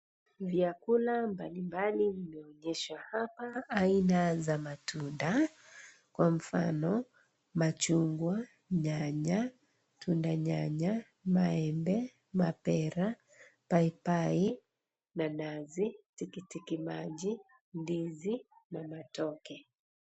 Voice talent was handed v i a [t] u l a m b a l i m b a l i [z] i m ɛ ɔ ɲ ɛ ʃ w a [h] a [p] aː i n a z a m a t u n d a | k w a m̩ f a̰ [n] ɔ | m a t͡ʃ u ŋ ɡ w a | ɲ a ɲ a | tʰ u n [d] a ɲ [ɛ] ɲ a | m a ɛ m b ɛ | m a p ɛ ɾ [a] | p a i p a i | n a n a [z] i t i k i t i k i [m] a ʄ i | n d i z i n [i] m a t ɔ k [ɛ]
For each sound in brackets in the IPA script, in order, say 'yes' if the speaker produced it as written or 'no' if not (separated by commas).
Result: no, no, yes, yes, yes, yes, no, yes, yes, yes, no, yes